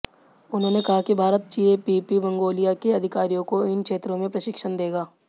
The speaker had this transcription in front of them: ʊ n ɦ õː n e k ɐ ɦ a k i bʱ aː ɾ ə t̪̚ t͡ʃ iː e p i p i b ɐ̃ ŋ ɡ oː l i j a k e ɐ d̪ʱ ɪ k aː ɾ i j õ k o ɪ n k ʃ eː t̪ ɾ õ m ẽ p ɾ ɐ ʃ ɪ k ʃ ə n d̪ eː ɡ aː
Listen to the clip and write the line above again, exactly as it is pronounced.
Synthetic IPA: ʊ n ɦ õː n e k ɐ ɦ a k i bʱ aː ɾ ə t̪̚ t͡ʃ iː e p i p i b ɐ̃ ŋ ɡ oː l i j a k e ɐ d̪ʱ ɪ k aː ɾ i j õ k o ɪ n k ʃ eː t̪ ɾ õ m ẽ p ɾ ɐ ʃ ɪ k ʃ ə n d̪ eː ɡ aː